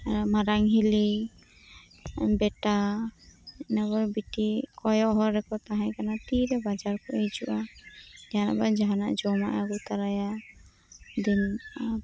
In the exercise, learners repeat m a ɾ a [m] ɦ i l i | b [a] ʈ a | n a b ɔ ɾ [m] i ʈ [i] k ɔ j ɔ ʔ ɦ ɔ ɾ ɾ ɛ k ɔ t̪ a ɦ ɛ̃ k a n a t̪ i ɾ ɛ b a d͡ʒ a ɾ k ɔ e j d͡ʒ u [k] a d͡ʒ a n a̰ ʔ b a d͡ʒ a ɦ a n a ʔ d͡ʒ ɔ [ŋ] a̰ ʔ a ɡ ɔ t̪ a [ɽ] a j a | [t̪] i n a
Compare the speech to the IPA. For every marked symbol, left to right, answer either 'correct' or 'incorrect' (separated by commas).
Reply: incorrect, incorrect, incorrect, correct, incorrect, incorrect, incorrect, incorrect